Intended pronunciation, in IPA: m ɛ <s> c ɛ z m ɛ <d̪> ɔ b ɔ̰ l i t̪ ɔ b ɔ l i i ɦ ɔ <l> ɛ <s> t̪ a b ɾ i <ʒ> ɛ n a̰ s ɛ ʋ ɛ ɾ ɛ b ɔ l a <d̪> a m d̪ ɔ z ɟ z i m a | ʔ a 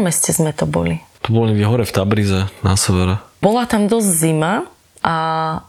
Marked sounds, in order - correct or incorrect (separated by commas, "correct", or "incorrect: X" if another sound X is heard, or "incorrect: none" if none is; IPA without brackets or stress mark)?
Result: correct, incorrect: t̪, incorrect: ɾ, incorrect: f, incorrect: z, incorrect: t̪